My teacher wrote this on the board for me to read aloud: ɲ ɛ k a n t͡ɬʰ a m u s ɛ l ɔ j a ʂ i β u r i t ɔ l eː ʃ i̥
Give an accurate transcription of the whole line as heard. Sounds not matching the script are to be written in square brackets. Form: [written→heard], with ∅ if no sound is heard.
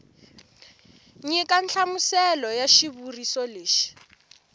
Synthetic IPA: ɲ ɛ k a n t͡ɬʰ a m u s ɛ l ɔ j a [ʂ→ʃ] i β u r i [t→s] ɔ l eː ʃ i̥